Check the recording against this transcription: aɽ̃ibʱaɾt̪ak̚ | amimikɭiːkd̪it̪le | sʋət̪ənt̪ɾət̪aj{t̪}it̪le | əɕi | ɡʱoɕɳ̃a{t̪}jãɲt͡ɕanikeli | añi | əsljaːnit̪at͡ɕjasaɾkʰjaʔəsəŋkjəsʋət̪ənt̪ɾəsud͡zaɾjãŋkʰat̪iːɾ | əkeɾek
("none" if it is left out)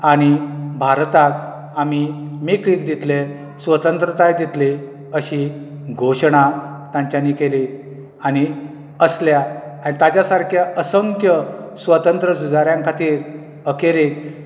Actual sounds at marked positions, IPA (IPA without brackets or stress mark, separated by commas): d̪, t̪